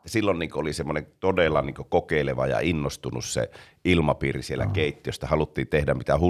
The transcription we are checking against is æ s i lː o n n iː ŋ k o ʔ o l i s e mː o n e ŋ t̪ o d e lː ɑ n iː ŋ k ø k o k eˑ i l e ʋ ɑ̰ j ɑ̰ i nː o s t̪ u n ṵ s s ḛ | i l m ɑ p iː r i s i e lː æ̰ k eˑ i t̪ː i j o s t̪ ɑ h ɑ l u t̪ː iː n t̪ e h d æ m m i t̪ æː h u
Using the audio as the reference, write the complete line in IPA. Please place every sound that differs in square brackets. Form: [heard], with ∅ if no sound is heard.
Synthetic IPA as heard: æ s i lː o n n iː ŋ k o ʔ o l i s e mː o n e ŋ t̪ o d e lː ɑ n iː ŋ k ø k o k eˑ i l e ʋ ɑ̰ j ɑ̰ i nː o s t̪ u n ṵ s s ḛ | i l m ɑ p iː r i s i e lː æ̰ k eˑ i t̪ː i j o s t̪ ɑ h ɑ l u t̪ː iː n t̪ e h d æ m m i t̪ [æ] h u